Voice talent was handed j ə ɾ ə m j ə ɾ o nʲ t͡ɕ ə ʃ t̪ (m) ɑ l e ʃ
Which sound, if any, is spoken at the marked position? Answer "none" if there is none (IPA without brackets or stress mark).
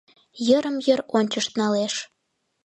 n